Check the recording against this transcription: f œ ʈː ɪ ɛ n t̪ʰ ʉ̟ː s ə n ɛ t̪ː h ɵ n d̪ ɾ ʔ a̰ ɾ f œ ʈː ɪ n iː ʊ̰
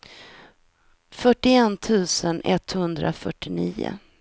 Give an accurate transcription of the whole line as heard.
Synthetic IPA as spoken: f œ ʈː ɪ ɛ n t̪ʰ ʉ̟ː s ə n ɛ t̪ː h ɵ n d̪ ɾ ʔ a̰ f œ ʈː ɪ n iː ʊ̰